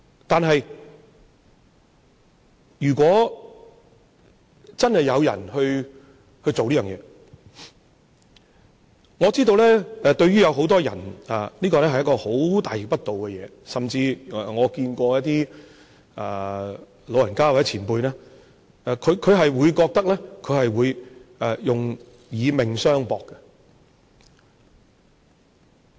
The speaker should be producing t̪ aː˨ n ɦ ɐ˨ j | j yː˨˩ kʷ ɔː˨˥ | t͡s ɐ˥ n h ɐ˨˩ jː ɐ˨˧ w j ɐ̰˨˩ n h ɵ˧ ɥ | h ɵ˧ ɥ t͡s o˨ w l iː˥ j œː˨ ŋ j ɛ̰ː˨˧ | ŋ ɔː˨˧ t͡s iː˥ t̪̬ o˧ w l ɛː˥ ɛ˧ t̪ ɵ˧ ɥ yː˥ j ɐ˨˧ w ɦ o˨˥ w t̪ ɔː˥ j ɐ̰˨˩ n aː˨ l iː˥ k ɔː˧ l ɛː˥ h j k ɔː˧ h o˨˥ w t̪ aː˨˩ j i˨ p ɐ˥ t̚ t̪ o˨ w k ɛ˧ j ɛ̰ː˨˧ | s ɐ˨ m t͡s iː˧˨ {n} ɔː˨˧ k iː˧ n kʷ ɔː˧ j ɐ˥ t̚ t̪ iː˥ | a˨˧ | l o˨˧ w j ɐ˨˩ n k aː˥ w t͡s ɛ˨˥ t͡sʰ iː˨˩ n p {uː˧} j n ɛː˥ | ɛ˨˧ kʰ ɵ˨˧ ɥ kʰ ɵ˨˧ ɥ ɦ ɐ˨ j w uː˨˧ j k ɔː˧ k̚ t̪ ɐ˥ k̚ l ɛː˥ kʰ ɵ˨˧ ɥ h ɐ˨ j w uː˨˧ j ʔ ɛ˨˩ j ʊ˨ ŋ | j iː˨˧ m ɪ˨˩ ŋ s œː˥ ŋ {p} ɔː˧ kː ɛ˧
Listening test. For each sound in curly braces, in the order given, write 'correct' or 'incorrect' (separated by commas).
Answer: incorrect, correct, correct